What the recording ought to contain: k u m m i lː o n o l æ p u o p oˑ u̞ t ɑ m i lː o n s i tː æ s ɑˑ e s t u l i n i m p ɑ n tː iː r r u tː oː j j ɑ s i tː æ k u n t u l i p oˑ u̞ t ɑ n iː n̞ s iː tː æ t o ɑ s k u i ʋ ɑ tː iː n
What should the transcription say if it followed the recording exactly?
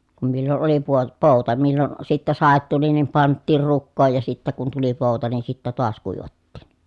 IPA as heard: k u m m i lː o n o l i p u o p oˑ u̞ t ɑ m i lː o n s i tː æ s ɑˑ e t t u l i n i m p ɑ n tː iː r r u kː oː j j ɑ s i tː æ k u n t u l i p oˑ u̞ t ɑ n i n̞ s i tː æ t o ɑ s k u i ʋ ɑ tː iː n

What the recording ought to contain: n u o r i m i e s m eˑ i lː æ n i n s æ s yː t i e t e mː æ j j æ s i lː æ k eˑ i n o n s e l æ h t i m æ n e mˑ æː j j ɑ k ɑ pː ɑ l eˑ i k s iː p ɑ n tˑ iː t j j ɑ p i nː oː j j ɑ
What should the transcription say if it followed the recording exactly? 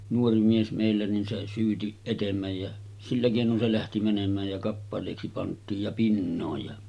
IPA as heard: n u o r i m i e s m eˑ i lː æ n i n s e s yː t i e t e mː æ j j æ s i lː æ k eˑ i n o n s e l æ h t i m æ n e mˑ æː j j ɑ k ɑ pː ɑ l eˑ i k s i p ɑ n tˑ iː j j ɑ p i nː oː j j ɑ

